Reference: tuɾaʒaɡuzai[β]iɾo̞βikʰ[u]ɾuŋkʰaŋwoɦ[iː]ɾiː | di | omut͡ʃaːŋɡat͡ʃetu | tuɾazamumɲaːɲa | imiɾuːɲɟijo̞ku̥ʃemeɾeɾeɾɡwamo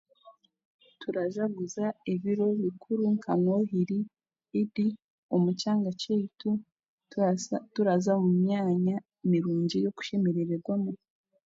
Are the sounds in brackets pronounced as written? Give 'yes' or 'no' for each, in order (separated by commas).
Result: yes, yes, no